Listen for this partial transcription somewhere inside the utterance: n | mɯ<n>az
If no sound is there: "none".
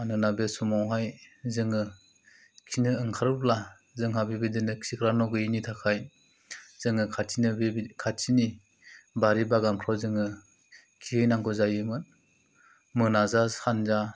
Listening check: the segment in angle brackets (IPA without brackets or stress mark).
n